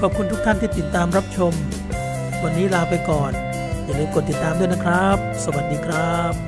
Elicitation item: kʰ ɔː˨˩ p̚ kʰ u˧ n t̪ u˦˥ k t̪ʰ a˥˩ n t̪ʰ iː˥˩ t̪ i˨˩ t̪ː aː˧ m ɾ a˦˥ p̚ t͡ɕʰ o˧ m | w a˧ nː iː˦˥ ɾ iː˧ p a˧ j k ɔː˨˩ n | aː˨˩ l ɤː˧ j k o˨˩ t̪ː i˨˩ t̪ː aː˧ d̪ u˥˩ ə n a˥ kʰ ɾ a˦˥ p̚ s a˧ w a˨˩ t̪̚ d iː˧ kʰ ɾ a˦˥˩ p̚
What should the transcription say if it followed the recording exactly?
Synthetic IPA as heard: kʰ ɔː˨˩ p̚ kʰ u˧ n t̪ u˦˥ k t̪ʰ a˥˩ n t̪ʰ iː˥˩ t̪ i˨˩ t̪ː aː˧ m ɾ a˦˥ p̚ t͡ɕʰ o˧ m | w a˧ nː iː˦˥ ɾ aː˧ p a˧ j k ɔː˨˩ n | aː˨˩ l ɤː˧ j k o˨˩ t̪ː i˨˩ t̪ː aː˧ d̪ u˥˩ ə n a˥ kʰ ɾ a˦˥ p̚ s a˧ w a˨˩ t̪̚ d iː˧ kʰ ɾ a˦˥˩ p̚

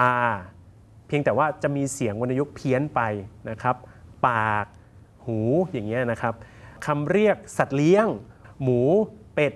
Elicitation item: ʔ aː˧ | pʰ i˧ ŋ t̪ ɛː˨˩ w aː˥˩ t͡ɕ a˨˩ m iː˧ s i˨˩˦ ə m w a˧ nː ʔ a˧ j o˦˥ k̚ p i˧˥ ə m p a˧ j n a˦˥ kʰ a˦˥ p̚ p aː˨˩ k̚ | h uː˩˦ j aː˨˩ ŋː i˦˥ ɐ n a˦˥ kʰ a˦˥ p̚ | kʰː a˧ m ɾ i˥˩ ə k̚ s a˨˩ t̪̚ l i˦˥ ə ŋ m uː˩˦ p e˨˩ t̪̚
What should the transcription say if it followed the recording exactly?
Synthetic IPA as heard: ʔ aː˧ | pʰ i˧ ŋ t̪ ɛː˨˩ w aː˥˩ t͡ɕ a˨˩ m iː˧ s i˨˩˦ ə ŋ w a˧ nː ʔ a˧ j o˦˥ k̚ pʰ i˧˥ ə n p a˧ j n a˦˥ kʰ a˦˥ p̚ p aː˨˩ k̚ | h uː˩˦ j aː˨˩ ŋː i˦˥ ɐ n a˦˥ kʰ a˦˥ p̚ | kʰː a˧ m ɾ i˥˩ ə k̚ s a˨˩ t̪̚ l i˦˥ ə ŋ m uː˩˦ p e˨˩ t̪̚

